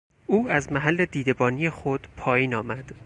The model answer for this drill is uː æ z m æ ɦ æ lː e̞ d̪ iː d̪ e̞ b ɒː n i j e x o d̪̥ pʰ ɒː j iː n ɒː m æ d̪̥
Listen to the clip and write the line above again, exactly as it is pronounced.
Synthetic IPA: uː æ z m æ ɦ æ lː e̞ d̪ iː d̪ e̞ b ɒː n i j e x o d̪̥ pʰ ɒː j iː n ɒː m æ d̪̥